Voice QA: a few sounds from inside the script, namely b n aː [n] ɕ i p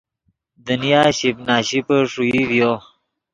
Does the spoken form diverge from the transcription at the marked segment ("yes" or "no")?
yes